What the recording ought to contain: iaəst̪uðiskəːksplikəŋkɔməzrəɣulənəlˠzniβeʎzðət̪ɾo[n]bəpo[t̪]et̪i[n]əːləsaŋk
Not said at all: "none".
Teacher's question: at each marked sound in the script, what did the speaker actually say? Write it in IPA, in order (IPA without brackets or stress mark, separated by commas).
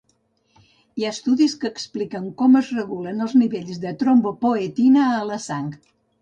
m, none, n